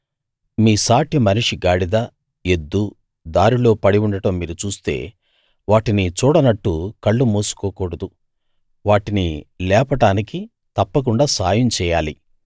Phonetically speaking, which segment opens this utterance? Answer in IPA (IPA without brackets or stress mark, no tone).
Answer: m